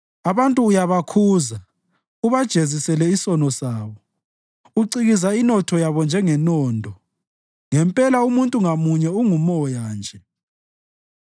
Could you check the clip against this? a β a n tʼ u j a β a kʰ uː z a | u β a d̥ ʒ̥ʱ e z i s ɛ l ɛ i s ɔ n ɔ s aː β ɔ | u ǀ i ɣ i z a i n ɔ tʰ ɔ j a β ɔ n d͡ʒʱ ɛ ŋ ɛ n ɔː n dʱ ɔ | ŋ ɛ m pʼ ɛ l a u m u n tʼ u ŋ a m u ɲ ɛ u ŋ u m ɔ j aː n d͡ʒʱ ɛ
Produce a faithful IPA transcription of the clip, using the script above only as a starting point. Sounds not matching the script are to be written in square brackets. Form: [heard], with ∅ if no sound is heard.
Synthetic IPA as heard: a β a n tʼ [uː] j a β a kʰ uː z a | u β a d̥ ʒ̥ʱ e z i s ɛ l ɛ i s ɔ n ɔ s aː β ɔ | u ǀ i ɣ i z a i n ɔ tʰ ɔ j a β ɔ n d͡ʒʱ ɛ ŋ ɛ n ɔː n dʱ ɔ | ŋ ɛ m pʼ ɛ l a u m u n tʼ u ŋ a m u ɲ ɛ u ŋ u m ɔ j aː n d͡ʒʱ ɛ